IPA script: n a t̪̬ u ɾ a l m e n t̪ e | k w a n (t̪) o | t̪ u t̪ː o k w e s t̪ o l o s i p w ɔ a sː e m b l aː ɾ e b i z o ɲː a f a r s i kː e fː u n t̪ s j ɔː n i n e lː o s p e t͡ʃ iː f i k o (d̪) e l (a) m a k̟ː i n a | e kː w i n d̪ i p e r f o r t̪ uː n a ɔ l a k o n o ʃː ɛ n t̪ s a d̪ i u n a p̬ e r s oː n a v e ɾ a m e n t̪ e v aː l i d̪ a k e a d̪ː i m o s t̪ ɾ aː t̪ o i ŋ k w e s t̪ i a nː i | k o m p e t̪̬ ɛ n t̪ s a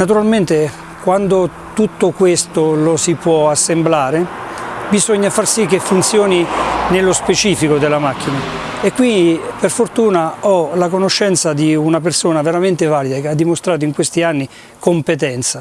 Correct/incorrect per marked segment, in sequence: incorrect: d̪, correct, correct

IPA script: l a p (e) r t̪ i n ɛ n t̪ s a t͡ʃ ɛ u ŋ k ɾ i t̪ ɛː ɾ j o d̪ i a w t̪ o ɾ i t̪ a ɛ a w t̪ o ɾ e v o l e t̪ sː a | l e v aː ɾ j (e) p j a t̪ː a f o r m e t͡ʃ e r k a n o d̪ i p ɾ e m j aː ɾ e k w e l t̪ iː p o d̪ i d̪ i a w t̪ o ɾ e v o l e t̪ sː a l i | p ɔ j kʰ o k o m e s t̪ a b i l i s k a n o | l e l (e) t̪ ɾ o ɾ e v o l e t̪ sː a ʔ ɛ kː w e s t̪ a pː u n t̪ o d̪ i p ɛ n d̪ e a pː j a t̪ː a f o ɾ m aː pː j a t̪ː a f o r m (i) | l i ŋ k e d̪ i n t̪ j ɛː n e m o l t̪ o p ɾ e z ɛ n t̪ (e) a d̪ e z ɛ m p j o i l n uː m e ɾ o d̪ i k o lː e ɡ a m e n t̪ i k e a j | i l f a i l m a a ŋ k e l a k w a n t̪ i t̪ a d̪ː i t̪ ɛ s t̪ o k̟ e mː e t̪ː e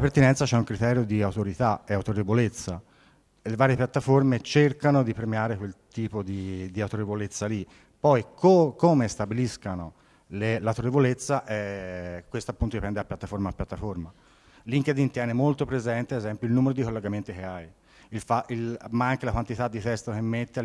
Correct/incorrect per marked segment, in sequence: correct, correct, incorrect: a, incorrect: a, correct

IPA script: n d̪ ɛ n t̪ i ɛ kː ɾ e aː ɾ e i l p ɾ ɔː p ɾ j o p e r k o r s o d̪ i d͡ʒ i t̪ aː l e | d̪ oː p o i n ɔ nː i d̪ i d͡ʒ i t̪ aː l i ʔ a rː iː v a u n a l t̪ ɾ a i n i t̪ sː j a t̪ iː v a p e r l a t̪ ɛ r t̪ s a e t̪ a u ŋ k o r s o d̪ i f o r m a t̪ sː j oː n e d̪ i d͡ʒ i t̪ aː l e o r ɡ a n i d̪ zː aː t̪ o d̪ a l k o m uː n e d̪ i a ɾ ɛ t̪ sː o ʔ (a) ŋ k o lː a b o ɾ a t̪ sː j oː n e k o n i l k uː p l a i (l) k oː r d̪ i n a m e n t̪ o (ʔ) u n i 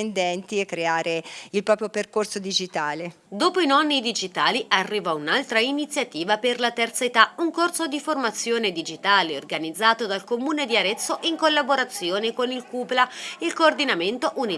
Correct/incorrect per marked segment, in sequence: incorrect: i, correct, correct

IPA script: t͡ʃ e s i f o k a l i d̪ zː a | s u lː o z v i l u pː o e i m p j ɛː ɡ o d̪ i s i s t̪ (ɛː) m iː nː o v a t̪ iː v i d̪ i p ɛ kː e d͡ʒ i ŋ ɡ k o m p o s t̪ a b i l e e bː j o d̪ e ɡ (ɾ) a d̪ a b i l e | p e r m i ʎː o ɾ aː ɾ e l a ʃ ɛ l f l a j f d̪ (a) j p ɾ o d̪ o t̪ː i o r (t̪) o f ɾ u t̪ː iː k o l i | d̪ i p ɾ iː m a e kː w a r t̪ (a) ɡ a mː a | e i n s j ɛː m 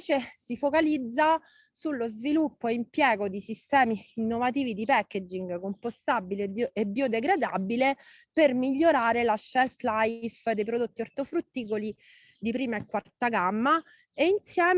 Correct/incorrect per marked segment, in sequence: correct, correct, incorrect: e, correct, correct

